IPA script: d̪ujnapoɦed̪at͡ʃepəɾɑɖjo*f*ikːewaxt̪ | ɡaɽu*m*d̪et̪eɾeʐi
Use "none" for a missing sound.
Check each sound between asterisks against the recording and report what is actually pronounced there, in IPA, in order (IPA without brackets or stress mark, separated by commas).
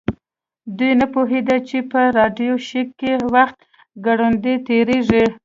ʃ, n